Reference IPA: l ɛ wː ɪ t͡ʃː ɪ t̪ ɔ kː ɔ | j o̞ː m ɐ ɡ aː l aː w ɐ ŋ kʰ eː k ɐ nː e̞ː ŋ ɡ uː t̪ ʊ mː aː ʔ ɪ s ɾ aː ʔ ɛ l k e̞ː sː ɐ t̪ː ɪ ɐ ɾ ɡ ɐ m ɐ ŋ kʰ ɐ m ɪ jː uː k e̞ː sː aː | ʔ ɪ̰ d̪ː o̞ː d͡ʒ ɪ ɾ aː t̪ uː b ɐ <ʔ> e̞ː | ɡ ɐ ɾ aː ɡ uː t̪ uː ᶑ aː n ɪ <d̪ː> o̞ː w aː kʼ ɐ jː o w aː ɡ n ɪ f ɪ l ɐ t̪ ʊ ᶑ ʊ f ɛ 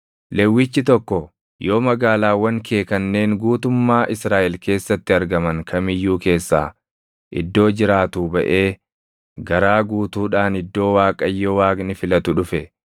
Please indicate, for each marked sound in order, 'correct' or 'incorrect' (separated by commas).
correct, correct